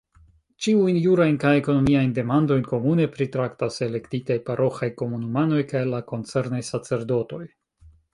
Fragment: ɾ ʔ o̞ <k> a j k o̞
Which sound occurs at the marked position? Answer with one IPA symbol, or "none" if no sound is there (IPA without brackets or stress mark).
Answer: x